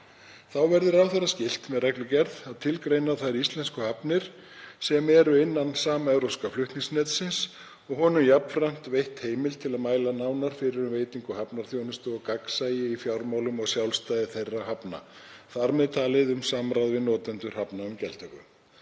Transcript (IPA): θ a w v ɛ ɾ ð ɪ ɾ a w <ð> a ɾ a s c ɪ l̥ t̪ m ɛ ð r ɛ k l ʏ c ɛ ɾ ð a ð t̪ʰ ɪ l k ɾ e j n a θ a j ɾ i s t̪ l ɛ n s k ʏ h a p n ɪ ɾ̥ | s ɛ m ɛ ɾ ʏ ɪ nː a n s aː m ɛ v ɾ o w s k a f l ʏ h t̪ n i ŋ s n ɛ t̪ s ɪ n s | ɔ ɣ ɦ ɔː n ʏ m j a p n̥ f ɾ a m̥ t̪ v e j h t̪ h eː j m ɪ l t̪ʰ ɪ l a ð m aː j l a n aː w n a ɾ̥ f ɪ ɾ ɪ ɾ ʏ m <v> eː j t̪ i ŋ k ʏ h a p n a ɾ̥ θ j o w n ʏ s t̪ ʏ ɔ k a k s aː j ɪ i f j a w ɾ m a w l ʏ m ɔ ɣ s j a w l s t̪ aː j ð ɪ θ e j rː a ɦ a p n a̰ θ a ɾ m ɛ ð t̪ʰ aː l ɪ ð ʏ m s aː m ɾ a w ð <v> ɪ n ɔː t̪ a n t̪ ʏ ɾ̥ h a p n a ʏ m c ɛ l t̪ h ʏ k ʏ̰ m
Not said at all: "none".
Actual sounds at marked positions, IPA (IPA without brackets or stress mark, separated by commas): θ, v, v